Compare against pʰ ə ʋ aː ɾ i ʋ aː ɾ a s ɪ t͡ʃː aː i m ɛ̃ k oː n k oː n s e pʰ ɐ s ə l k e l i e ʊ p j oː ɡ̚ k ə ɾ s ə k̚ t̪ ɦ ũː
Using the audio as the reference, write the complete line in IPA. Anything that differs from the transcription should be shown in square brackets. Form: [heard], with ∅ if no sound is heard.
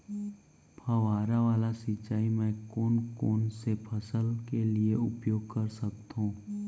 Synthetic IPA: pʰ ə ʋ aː ɾ [a] ʋ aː [l] a s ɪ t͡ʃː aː i m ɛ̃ k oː n k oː n s e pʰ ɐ s ə l k e l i e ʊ p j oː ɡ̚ k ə ɾ s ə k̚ t̪ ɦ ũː